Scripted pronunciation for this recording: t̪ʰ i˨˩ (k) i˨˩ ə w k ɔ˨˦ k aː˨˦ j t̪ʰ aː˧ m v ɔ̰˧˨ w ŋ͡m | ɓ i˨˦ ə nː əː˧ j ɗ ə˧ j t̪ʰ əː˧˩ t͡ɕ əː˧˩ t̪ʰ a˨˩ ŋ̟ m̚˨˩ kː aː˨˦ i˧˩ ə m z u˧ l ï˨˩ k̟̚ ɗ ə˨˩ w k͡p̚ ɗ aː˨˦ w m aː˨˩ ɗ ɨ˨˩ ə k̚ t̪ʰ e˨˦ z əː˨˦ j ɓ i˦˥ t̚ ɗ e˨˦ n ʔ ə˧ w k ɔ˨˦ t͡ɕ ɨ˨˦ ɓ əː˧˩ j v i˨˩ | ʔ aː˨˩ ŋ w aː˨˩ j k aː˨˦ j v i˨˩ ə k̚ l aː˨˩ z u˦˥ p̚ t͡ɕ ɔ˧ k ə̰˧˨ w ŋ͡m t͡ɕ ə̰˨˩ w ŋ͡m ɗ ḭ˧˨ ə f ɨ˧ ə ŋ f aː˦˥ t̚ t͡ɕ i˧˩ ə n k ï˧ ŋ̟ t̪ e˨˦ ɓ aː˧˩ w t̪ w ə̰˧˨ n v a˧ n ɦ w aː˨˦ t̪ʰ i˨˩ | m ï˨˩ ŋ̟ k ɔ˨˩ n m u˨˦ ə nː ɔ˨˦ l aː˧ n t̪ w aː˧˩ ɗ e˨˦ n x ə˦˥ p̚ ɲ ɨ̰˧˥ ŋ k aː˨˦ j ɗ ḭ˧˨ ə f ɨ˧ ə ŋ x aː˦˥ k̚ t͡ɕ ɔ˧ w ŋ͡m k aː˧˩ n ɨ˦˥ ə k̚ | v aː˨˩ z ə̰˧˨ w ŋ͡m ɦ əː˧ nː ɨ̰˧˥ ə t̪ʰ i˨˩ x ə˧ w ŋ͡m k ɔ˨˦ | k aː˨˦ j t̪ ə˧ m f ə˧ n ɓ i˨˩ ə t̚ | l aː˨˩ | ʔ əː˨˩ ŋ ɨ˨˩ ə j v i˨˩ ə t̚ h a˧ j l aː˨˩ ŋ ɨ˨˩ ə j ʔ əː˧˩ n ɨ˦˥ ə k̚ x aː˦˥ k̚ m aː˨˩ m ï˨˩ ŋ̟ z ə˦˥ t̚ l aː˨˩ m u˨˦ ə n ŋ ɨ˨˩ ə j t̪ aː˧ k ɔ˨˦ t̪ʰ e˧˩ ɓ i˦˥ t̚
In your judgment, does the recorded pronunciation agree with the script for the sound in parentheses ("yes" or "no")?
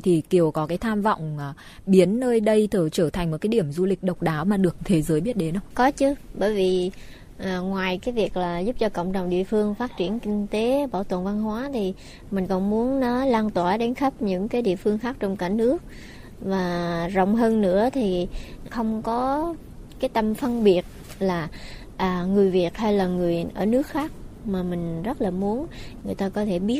yes